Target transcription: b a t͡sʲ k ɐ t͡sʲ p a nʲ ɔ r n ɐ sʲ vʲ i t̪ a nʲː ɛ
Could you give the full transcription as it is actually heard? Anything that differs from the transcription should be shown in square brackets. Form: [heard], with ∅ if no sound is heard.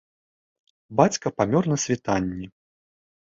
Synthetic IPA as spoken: b a t͡sʲ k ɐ [∅] p a [mʲ] ɔ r n ɐ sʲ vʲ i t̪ a nʲː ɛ

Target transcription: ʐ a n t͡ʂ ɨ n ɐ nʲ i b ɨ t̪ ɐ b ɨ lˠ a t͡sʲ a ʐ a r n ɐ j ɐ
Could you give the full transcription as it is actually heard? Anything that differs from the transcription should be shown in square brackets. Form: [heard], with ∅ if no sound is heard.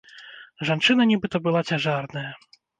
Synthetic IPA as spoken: ʐ a n t͡ʂ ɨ n ɐ nʲ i b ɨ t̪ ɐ b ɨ lˠ a t͡sʲ a ʐ a r n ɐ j ɐ

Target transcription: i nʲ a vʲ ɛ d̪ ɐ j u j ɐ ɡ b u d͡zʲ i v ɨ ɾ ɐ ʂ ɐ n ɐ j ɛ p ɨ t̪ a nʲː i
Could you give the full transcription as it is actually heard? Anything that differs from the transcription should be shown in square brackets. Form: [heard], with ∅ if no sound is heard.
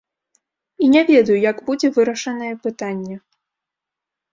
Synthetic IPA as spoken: i nʲ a vʲ ɛ d̪ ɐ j u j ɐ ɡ b u d͡zʲ [ɛ] v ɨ ɾ ɐ ʂ ɐ n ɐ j ɛ p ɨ t̪ a nʲː [ɛ]

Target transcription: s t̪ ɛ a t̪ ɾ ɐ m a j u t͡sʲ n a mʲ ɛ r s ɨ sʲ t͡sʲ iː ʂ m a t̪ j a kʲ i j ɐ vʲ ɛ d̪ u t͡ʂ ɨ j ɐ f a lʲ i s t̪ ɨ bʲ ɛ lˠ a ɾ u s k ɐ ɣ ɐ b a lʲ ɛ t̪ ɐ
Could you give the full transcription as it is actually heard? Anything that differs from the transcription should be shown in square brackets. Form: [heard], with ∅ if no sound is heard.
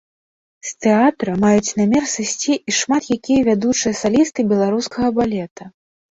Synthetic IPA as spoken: s t̪ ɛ a t̪ ɾ ɐ m a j u t͡sʲ n a mʲ ɛ r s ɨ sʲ t͡sʲ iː ʂ m a t̪ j a kʲ i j ɐ vʲ [a] d̪ u t͡ʂ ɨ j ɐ [s] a lʲ i s t̪ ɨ bʲ ɛ lˠ a ɾ u s k ɐ ɣ ɐ b a lʲ ɛ t̪ ɐ

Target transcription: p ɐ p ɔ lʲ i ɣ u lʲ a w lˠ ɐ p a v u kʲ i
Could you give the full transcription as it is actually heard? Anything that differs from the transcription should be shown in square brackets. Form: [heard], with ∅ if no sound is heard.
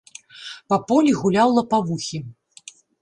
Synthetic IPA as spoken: p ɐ p ɔ lʲ i ɣ u lʲ a w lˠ ɐ p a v u [xʲ] i

